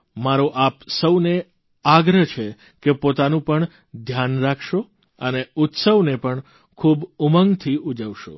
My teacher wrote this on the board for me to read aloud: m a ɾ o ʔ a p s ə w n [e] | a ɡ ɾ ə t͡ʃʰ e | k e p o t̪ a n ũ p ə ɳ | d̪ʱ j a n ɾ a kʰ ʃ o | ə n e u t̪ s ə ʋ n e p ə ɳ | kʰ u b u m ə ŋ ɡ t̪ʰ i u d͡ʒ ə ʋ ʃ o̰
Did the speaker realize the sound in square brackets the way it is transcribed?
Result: yes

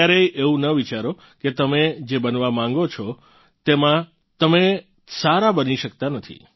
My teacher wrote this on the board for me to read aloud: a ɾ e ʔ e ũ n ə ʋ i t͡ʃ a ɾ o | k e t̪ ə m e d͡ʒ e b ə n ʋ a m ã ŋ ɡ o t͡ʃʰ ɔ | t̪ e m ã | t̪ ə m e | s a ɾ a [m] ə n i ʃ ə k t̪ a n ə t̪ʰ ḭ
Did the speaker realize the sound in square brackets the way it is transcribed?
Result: no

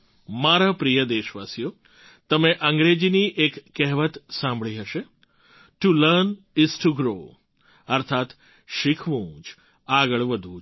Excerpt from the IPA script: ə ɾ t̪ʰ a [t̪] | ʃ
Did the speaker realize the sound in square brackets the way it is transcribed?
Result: yes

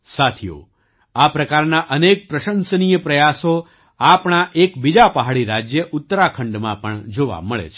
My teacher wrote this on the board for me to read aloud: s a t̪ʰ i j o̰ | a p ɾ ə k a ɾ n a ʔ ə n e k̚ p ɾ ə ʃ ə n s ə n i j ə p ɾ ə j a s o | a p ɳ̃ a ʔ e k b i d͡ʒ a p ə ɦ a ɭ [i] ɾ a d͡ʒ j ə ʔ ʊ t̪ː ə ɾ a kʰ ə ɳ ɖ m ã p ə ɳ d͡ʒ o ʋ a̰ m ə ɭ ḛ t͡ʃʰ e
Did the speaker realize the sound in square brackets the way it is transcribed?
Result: yes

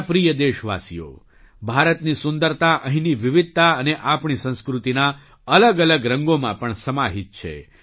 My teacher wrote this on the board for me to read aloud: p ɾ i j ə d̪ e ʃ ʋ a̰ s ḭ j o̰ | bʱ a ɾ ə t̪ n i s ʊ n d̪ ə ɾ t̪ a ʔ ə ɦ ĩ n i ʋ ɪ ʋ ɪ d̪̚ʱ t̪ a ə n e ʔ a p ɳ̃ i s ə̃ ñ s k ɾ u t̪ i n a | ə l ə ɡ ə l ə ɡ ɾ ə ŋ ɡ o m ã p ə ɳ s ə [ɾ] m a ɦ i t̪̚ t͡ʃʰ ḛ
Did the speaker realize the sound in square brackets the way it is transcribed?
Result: no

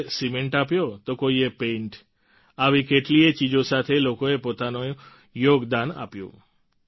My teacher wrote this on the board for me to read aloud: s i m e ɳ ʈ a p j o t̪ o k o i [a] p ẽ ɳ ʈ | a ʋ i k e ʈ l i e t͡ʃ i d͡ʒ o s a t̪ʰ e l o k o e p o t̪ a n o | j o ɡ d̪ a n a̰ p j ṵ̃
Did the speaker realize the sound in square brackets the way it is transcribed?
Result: no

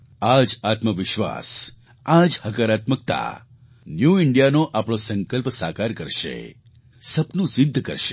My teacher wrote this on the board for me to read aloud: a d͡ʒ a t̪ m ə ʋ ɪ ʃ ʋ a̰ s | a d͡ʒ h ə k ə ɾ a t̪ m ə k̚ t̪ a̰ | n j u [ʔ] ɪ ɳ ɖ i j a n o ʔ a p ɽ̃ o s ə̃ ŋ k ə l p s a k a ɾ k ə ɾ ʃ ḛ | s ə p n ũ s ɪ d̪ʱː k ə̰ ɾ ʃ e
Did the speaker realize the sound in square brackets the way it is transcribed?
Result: no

